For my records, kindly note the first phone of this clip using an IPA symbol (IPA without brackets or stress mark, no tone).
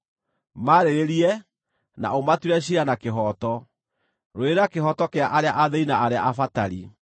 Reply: m